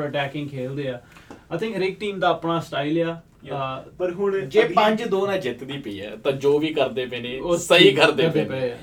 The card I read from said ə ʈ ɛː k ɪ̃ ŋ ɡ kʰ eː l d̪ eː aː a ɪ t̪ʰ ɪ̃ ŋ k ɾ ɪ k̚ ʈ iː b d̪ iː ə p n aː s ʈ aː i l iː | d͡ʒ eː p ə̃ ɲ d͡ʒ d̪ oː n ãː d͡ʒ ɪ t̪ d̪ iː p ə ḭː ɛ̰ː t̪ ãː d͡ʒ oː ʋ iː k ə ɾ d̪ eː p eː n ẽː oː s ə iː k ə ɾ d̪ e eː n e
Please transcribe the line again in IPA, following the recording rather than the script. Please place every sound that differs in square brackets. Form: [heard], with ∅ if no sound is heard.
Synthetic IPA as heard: ə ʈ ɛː k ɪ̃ ŋ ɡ kʰ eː l d̪ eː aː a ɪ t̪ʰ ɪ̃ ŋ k ɾ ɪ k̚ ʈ iː [m] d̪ [aː] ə p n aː s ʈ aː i l [aː] | d͡ʒ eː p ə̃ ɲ d͡ʒ d̪ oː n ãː d͡ʒ ɪ t̪ d̪ iː p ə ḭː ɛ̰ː t̪ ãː d͡ʒ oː ʋ iː k ə ɾ d̪ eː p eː n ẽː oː s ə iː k ə ɾ d̪ e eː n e